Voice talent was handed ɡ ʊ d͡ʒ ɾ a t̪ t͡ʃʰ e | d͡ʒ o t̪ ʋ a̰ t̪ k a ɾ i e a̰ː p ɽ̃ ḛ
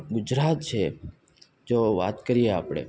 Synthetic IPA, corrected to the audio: ɡ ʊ d͡ʒ ɾ a t̪ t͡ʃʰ e | d͡ʒ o ʋ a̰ t̪ k ə ɾ i e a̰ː p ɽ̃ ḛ

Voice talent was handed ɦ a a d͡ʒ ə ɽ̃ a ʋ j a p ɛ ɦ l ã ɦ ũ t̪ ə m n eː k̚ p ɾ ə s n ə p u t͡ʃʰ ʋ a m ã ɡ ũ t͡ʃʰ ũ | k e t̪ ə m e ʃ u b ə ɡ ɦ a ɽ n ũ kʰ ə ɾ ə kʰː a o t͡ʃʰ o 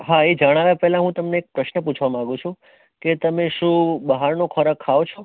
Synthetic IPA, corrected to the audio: ɦ a e d͡ʒ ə ɽ̃ a ʋ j a p ɛ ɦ l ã ɦ ũ t̪ ə m n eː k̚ p ɾ ə ʃ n ə p u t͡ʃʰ ʋ a m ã ɡ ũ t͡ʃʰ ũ | k e t̪ ə m e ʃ ũ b ə ɦ a ɾ n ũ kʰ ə ɾ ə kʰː a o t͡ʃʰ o

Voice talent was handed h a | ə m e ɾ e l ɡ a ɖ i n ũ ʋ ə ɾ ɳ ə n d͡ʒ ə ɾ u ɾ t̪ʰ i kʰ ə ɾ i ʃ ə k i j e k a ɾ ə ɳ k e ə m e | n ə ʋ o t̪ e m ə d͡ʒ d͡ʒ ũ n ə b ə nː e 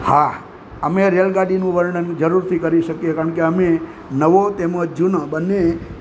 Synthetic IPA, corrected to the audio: h a | ə m e ɾ e l ɡ a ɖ i n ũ ʋ ə ɾ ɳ ə n d͡ʒ ə ɾ u ɾ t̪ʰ i k ə ɾ i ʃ ə k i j e k a ɾ ə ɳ k e ə m e | n ə ʋ o t̪ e m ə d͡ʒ d͡ʒ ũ n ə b ə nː e

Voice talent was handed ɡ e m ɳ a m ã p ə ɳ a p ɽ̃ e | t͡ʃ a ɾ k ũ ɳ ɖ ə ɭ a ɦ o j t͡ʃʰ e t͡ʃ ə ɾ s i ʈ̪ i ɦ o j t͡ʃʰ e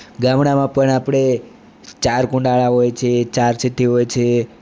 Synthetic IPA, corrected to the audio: ɡ a m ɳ a m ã p ə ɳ a p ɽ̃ e | t͡ʃ a ɾ k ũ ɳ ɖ a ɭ a ɦ o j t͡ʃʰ e t͡ʃ a ɾ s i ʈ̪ i ɦ o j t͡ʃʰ e

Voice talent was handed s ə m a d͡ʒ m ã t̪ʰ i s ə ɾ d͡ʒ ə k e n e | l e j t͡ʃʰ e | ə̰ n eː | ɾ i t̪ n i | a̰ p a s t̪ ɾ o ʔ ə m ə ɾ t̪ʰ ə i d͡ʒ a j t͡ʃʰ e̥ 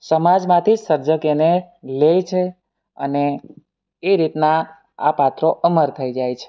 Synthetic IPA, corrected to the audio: s ə m a d͡ʒ m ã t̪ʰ i s ə ɾ d͡ʒ ə k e n e | l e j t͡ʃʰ e | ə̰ n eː | ɾ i t̪ n a | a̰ p a t̪ ɾ o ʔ ə m ə ɾ t̪ʰ ə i d͡ʒ a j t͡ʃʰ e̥

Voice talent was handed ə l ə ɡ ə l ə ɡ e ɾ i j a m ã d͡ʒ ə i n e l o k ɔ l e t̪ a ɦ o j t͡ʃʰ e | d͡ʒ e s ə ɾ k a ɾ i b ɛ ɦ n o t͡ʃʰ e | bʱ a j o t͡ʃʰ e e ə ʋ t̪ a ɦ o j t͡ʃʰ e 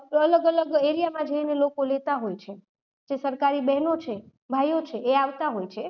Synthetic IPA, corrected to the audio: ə l ə ɡ ə l ə ɡ e ɾ i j a m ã d͡ʒ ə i n e l o k o l e t̪ a ɦ o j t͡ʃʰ e | d͡ʒ e s ə ɾ k a ɾ i b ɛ ɦ n o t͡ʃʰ e | bʱ a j o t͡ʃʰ e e a ʋ t̪ a ɦ o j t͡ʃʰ e

